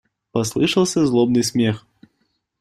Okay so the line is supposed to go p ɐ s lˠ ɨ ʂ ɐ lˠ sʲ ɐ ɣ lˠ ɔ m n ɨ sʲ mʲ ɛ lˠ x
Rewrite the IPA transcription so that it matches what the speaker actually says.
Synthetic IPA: p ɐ s lˠ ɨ ʂ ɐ lˠ sʲ ɐ z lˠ ɔ b n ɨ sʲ mʲ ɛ x

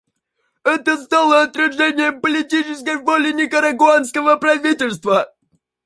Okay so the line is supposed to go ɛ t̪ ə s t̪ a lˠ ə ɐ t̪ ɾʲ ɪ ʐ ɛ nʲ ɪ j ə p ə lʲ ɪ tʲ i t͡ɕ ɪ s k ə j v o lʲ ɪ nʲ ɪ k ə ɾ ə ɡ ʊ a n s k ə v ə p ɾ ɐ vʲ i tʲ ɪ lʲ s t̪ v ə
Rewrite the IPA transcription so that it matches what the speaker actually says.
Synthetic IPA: ɛ t̪ ə s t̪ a lˠ ə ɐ t̪ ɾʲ ɪ ʐ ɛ nʲ ɪ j ə p ə lʲ ɪ tʲ i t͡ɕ ɪ s k ə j v o lʲ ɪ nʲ ɪ k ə ɾ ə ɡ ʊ a n s k ə v ə p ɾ ɐ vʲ i tʲ ɪ lʲ s t̪ v ə

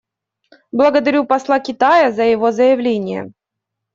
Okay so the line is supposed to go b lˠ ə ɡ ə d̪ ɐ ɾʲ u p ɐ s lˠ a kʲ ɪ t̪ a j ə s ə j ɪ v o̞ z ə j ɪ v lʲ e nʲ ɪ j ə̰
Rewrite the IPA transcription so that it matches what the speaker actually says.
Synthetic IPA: b lˠ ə ɡ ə d̪ ɐ ɾʲ u p ɐ s lˠ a kʲ ɪ t̪ a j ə z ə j ɪ v o̞ z ə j ɪ v lʲ e nʲ ɪ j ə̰

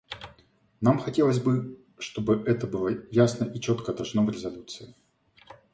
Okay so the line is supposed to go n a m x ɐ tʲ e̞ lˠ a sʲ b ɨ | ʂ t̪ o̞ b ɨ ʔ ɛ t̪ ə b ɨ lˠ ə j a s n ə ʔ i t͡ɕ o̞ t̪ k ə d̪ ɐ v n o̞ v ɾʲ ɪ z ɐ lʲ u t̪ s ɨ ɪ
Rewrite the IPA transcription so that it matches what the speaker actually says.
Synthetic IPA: n a m x ɐ tʲ e̞ lˠ ə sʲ b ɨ | ʂ t̪ o̞ b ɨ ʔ ɛ t̪ ə b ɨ lˠ ə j a s n ə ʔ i t͡ɕ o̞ t̪ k ə d̪ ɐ ʐ n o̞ v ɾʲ ɪ z ɐ lʲ u t̪ s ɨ ɪ

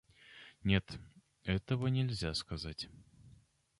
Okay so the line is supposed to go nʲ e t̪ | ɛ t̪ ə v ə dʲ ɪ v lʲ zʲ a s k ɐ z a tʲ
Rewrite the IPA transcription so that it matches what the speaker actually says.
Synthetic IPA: nʲ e t̪ | ɛ t̪ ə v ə nʲ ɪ lʲ zʲ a s k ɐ z a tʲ

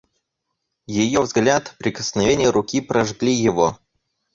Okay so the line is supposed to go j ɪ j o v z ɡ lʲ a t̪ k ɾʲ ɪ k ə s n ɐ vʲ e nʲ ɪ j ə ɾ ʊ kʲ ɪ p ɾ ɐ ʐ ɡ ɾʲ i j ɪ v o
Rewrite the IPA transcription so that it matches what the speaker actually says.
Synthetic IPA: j ɪ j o v z ɡ lʲ a t̪ p ɾʲ ɪ k ə s n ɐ vʲ e nʲ ɪ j ə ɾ ʊ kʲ i p ɾ ɐ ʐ ɡ lʲ i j ɪ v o

